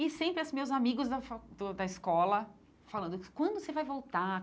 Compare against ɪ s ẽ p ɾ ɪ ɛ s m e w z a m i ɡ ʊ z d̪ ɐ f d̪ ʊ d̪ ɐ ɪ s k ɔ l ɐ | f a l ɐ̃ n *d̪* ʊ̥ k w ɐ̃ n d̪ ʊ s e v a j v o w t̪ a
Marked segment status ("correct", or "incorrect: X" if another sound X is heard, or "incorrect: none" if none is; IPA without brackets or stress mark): correct